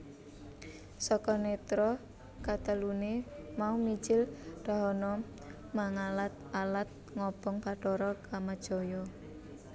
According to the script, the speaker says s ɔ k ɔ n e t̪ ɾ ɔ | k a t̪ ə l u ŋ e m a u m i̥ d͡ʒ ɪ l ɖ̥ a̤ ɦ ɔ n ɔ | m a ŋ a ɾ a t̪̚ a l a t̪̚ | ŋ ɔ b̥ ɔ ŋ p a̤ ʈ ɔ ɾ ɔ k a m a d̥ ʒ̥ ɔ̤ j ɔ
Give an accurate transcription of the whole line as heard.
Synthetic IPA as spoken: s ɔ k ɔ n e t̪ ɾ ɔ | k a t̪ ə l u n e m a u m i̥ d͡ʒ ɪ l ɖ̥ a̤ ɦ ɔ n ɔ | m a ŋ a l a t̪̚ a l a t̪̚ | ŋ ɔ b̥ ɔ ŋ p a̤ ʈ ɔ ɾ ɔ k a m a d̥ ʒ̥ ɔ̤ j ɔ